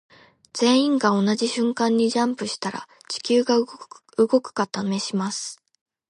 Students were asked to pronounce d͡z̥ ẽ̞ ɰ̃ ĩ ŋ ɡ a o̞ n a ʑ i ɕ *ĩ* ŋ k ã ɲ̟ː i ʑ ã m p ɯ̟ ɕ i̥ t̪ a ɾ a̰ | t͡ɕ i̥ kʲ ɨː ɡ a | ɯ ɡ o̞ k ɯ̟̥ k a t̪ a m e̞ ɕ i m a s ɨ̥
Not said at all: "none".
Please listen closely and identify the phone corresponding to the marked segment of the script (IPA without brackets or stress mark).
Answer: ɨ̃